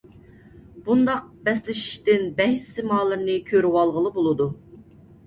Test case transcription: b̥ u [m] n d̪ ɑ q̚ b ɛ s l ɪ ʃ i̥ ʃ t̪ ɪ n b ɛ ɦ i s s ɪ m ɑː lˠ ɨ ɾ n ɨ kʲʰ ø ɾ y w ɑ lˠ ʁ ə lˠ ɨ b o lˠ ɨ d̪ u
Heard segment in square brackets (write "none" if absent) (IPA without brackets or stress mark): none